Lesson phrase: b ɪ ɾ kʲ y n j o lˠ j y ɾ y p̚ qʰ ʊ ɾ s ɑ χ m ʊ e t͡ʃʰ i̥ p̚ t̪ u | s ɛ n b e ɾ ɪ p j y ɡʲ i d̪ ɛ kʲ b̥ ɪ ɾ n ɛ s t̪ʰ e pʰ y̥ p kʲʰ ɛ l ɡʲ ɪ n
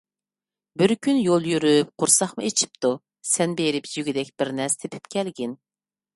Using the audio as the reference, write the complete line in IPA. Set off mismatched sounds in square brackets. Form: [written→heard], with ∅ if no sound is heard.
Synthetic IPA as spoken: b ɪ ɾ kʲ y n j o lˠ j y ɾ y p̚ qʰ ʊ ɾ s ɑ χ m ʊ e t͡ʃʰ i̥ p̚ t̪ u | s ɛ n b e ɾ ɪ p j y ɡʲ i d̪ ɛ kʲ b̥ ɪ ɾ n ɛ s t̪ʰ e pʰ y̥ p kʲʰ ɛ l ɡʲ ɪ n

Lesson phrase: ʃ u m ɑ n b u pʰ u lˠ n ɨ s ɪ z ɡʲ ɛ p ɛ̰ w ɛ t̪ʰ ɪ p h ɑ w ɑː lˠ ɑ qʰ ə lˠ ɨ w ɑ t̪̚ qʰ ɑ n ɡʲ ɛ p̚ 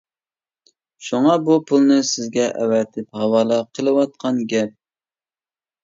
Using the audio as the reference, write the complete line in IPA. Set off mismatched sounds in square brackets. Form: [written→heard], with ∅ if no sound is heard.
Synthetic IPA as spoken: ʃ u [m→ŋ] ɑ [n→∅] b u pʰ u lˠ n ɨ s ɪ z ɡʲ ɛ [p→ʔ] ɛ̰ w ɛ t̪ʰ ɪ p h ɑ w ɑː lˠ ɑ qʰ ə lˠ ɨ w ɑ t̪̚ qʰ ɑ n ɡʲ ɛ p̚

